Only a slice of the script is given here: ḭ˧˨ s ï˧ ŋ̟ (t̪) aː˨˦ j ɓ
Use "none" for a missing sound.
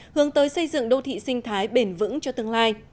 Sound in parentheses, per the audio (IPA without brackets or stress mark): t̪ʰ